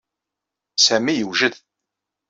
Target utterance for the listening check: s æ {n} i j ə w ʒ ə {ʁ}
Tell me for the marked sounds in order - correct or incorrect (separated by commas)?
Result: incorrect, incorrect